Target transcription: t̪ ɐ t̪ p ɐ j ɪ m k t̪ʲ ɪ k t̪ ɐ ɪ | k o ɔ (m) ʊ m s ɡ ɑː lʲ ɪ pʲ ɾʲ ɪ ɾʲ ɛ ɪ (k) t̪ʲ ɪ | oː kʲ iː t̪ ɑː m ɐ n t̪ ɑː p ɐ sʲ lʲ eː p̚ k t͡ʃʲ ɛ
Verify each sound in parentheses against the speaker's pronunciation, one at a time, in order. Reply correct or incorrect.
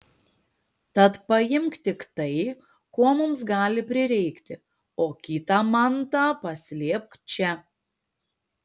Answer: correct, correct

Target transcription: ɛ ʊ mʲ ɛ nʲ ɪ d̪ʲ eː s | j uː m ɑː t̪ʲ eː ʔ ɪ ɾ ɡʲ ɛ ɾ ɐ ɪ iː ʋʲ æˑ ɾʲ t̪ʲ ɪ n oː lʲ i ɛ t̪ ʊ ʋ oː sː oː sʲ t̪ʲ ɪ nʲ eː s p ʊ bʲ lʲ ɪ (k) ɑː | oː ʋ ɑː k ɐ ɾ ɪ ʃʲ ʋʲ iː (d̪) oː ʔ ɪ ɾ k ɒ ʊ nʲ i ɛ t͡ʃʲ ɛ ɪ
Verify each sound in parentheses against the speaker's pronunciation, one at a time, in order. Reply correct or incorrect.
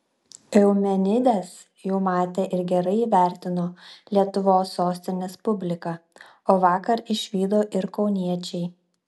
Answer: correct, correct

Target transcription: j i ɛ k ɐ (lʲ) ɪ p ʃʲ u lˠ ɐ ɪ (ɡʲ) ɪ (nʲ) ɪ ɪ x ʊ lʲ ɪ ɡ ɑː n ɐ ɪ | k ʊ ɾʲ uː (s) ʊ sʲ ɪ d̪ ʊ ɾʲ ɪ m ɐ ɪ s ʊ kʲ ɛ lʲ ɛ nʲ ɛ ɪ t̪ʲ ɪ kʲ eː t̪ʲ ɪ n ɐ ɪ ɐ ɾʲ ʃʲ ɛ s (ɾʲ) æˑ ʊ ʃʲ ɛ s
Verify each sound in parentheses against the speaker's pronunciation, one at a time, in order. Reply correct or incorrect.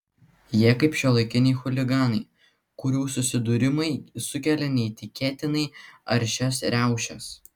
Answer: incorrect: none, incorrect: kʲ, correct, correct, correct

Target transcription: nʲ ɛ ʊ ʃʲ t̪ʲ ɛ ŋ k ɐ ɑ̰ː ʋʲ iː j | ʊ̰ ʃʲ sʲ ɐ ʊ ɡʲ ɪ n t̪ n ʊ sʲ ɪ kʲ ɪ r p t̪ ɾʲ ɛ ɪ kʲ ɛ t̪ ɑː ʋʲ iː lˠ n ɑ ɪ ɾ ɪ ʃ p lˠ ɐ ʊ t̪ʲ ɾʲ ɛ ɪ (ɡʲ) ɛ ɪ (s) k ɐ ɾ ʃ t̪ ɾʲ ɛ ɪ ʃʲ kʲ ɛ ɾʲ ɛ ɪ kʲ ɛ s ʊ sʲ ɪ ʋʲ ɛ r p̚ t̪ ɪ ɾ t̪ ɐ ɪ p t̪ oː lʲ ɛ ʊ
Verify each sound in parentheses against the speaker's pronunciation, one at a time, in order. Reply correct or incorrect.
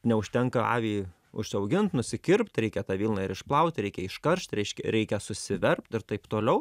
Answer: incorrect: kʲ, incorrect: ʃ

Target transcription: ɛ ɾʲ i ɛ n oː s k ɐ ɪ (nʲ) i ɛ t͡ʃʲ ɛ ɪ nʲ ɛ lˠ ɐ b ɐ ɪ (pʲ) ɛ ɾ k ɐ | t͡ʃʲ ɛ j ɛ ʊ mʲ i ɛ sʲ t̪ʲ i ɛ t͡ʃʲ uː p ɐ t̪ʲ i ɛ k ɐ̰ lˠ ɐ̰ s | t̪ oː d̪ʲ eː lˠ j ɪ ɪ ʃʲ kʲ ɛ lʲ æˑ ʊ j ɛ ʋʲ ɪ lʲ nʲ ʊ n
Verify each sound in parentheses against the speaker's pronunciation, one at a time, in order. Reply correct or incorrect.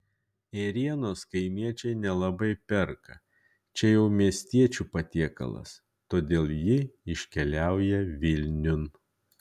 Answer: incorrect: mʲ, correct

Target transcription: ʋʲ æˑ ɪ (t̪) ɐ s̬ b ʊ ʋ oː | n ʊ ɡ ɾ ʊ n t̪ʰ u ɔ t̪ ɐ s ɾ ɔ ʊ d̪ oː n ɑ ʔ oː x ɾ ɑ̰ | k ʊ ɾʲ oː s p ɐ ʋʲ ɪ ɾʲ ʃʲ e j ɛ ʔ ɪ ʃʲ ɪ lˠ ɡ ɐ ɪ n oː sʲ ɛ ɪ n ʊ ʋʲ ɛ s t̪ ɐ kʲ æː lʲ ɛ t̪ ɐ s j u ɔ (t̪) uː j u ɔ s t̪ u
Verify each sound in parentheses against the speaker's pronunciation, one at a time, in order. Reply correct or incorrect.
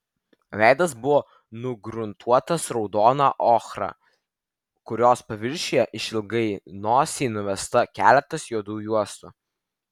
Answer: incorrect: d̪, incorrect: d̪

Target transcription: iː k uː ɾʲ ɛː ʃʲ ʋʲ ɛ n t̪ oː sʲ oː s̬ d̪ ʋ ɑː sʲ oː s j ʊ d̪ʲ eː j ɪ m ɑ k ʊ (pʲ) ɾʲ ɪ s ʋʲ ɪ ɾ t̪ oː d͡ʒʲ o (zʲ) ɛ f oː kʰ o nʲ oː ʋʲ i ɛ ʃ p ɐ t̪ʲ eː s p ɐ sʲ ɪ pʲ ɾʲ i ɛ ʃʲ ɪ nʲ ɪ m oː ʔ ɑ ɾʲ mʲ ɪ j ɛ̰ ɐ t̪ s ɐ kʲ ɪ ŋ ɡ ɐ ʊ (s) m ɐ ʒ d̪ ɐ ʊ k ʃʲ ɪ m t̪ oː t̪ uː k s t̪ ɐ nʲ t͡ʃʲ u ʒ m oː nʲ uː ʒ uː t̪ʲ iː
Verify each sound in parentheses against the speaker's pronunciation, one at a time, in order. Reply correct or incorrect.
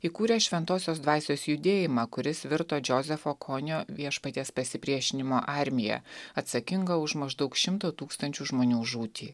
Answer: incorrect: none, correct, incorrect: ʃ

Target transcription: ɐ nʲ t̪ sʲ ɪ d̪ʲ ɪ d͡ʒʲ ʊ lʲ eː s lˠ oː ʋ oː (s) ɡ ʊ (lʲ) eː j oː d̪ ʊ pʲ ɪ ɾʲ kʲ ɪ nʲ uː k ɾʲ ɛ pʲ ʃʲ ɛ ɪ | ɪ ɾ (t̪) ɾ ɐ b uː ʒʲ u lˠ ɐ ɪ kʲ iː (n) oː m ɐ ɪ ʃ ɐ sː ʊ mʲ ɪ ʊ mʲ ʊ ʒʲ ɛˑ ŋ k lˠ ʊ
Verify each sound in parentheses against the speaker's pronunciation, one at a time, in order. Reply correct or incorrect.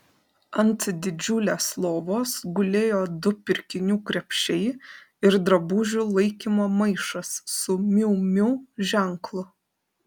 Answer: correct, correct, incorrect: d̪, incorrect: m

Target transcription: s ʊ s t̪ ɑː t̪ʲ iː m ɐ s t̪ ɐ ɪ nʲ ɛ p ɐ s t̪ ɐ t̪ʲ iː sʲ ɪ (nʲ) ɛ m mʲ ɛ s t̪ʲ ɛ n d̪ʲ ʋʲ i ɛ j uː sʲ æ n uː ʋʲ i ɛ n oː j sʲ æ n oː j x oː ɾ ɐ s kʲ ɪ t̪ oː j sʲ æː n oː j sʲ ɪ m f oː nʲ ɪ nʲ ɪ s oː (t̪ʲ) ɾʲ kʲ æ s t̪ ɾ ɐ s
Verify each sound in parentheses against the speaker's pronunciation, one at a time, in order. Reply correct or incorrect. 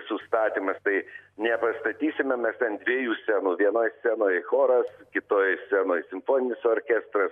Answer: incorrect: mʲ, incorrect: none

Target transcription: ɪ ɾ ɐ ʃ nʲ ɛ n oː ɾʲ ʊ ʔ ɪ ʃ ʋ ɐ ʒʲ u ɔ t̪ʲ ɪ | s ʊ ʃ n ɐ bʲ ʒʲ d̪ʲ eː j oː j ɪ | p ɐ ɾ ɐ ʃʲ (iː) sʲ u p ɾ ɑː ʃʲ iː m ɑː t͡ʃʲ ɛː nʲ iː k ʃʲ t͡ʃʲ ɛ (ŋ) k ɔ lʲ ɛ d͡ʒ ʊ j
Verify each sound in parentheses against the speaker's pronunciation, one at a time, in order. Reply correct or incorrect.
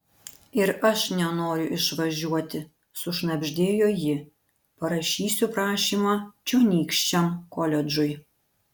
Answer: correct, incorrect: m

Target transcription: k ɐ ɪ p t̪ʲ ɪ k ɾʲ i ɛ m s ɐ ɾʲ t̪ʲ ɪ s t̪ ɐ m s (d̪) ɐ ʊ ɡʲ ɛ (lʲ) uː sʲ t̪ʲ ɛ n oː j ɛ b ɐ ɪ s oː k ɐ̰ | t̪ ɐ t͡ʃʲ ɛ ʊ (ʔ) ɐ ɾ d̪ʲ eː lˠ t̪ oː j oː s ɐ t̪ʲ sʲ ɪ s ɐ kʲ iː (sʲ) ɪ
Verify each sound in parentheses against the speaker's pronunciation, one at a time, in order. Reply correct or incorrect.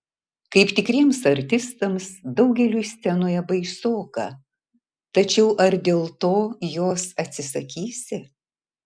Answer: correct, correct, correct, correct

